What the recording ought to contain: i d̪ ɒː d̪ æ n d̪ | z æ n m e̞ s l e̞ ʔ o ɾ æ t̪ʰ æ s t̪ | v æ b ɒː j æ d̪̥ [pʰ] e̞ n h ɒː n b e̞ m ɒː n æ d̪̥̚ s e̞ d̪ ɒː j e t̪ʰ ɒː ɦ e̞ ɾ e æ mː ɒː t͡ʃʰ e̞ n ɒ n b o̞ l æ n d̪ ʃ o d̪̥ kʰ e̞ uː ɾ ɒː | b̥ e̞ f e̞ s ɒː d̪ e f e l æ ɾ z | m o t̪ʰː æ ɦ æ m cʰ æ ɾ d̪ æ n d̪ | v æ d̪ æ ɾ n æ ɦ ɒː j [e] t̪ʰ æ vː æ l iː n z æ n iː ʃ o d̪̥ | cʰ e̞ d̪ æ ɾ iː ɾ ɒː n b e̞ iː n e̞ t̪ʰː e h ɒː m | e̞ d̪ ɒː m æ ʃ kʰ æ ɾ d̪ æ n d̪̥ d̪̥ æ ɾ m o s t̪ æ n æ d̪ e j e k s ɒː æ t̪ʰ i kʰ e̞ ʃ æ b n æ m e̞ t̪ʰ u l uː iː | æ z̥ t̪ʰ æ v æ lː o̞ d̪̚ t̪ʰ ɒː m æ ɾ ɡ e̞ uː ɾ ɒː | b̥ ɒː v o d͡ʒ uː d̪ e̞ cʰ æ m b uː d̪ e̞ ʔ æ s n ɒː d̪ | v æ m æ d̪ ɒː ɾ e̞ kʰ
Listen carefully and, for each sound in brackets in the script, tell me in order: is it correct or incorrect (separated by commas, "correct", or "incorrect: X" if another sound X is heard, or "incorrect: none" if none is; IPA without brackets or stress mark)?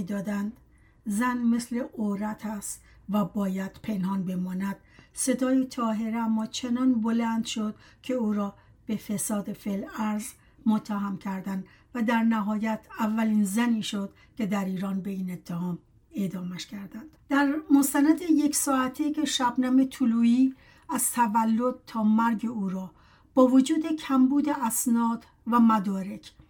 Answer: correct, incorrect: æ